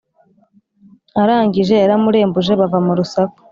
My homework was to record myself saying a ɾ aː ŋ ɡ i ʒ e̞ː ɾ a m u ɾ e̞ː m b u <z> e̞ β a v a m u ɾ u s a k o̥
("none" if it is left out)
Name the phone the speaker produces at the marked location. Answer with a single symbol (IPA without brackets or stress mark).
ʒ